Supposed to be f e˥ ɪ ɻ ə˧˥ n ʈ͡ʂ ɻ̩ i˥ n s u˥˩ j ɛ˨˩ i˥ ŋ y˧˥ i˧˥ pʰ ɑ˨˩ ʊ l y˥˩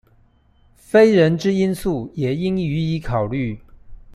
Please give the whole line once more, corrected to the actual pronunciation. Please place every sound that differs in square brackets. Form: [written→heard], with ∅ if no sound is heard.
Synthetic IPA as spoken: f e˥ ɪ ɻ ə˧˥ n ʈ͡ʂ ɻ̩ i˥ n s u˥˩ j ɛ˨˩ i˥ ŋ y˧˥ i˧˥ [pʰ→kʰ] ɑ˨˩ ʊ l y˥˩